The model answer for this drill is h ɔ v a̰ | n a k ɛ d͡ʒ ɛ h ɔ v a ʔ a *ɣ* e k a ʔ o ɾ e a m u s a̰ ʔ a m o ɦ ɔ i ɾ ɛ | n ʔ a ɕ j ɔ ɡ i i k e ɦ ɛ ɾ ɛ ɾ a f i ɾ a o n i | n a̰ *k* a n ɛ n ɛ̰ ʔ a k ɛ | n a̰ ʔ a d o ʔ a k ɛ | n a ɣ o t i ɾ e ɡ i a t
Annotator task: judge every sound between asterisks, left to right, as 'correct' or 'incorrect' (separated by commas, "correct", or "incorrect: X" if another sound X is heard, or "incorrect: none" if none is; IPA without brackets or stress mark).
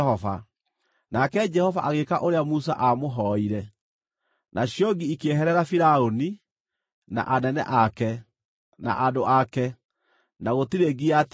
correct, incorrect: ʔ